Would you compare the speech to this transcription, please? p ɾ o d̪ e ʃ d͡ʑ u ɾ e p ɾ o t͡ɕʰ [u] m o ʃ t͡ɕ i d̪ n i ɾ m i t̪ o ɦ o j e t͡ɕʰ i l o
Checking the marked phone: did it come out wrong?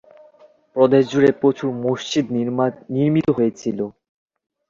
no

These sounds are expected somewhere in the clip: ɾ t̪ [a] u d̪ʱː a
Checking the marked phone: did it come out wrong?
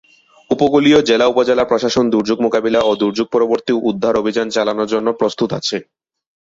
yes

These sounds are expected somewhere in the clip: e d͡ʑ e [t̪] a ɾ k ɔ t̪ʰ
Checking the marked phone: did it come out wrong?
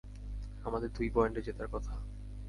no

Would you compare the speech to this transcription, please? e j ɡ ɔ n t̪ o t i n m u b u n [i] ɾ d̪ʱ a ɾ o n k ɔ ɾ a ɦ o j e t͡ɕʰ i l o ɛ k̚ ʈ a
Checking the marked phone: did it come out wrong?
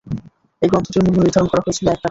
no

